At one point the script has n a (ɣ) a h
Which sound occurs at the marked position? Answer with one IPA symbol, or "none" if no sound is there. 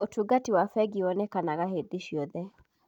ɣ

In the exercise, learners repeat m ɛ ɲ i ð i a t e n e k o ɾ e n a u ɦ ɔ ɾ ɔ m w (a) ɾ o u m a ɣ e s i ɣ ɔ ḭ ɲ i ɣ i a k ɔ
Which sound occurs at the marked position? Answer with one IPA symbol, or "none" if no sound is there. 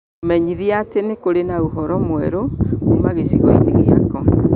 ɛ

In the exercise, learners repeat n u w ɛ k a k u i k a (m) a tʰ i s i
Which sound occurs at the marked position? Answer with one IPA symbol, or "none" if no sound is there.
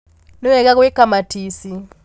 m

